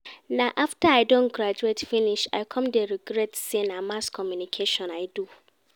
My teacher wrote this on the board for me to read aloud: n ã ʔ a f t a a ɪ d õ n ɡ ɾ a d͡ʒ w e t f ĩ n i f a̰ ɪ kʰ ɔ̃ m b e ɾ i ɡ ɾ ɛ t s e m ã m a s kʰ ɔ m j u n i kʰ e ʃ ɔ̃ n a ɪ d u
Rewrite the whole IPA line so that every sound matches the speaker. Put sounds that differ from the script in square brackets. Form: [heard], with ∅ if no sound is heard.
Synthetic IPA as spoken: n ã ʔ a f t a a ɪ d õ n ɡ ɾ a d͡ʒ [u] e t f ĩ n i [ʃ] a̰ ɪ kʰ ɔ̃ m [d] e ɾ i ɡ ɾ ɛ t s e [n] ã m a s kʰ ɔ m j u n i kʰ e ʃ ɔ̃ n a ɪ d u